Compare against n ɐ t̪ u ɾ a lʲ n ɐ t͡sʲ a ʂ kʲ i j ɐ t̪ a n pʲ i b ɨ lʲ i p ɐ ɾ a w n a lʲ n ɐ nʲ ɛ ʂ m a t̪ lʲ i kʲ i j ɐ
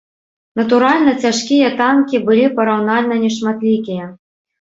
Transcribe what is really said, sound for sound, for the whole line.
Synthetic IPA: n ɐ t̪ u ɾ a lʲ n ɐ t͡sʲ a ʂ kʲ i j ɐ t̪ a n kʲ i b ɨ lʲ i p ɐ ɾ a w n a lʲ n ɐ nʲ ɛ ʂ m a t̪ lʲ i kʲ i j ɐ